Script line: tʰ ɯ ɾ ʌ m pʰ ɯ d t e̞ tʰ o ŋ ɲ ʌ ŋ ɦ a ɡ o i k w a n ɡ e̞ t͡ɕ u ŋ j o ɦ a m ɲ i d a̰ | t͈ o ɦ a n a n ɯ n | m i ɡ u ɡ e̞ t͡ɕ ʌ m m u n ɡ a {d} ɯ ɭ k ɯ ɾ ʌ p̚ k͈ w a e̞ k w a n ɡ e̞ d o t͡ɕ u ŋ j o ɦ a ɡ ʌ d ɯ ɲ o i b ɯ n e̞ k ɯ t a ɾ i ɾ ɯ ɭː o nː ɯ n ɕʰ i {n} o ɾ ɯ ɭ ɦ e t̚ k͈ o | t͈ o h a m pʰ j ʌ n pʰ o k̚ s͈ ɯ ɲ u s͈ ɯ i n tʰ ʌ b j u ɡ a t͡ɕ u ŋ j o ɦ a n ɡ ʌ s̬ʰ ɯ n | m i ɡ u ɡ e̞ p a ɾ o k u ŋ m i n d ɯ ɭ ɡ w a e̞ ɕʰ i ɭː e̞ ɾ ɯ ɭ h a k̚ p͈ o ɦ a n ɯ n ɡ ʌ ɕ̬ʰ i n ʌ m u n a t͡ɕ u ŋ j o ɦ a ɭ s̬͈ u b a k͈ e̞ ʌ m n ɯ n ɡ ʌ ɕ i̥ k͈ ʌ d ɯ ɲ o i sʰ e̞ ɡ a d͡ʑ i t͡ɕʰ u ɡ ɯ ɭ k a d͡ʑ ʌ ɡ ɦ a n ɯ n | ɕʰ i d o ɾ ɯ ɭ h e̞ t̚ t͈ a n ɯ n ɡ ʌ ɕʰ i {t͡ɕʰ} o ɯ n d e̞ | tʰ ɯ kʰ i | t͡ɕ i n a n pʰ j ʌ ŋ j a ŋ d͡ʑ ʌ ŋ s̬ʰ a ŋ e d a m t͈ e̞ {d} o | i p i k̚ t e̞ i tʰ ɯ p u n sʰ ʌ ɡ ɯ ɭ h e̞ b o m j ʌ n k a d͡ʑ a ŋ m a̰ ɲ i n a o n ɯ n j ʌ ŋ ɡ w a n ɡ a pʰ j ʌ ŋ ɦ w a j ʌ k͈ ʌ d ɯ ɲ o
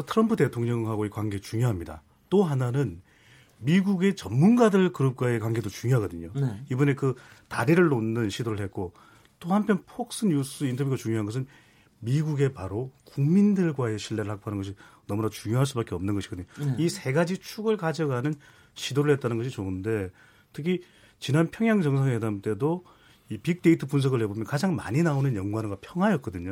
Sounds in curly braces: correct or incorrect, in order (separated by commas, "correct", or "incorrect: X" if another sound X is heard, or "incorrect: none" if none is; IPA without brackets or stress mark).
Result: correct, incorrect: d, incorrect: t͡ɕ, correct